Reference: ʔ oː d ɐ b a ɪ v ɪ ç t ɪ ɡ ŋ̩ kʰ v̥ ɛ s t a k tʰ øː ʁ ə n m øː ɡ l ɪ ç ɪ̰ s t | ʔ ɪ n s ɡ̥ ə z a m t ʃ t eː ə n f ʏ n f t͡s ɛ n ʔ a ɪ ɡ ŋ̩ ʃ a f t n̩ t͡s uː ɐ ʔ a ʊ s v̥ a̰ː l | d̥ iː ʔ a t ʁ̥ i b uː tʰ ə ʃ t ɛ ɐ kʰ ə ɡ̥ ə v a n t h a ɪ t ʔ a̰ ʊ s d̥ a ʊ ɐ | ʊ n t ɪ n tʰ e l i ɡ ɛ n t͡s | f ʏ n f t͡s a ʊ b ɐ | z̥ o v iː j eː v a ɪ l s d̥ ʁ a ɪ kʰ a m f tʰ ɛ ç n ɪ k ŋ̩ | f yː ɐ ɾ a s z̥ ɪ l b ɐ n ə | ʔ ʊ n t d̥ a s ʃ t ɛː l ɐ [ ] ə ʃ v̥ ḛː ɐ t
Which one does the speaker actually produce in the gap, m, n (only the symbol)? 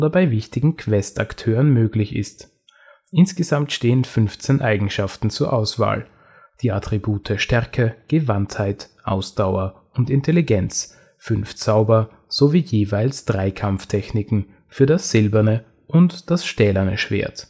n